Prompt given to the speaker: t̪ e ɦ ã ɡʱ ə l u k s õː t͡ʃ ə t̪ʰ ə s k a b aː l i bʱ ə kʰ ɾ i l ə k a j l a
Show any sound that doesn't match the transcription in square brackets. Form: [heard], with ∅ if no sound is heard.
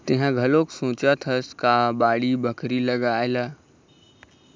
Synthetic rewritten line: t̪ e ɦ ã ɡʱ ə l [o] k s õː t͡ʃ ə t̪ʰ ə s k a b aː [ɽ] i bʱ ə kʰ ɾ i l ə [ɡ] a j l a